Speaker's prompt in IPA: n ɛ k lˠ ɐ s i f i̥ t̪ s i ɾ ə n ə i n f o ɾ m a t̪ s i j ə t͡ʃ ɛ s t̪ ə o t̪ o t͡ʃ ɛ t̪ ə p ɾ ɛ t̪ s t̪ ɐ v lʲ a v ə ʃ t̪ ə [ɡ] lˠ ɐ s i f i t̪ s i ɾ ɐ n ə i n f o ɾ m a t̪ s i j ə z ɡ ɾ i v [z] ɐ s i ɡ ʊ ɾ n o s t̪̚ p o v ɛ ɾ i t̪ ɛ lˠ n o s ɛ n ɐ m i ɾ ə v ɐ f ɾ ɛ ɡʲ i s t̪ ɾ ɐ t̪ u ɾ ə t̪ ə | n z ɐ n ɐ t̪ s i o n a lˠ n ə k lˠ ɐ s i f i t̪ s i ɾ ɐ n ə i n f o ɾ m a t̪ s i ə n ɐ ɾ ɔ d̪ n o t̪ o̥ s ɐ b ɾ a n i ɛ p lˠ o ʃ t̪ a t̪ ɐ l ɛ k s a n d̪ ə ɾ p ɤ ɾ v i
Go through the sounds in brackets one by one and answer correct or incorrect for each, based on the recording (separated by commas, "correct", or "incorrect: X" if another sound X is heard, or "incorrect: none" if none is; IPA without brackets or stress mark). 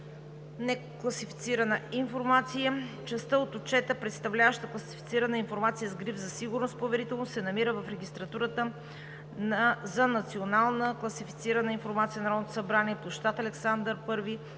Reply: incorrect: k, correct